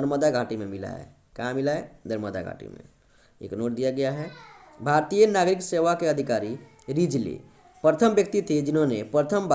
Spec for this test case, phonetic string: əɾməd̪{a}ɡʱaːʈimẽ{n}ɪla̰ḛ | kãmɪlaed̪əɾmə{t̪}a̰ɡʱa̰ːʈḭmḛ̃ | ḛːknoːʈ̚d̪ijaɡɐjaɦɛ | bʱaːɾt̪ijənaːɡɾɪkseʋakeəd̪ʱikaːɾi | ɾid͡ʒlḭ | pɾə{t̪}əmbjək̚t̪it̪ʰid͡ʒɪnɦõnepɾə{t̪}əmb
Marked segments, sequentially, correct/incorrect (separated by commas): correct, incorrect, incorrect, incorrect, incorrect